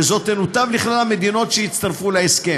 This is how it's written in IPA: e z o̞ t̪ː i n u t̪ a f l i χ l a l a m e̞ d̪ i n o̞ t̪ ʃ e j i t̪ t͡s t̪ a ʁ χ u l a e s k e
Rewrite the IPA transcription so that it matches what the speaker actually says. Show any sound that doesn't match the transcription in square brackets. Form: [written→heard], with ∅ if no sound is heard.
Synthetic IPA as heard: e z o̞ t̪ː [i→e] n u t̪ a [f→v] l i χ l a l a m e̞ d̪ i n o̞ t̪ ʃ e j i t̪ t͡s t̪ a ʁ [χ→f] u l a e s k e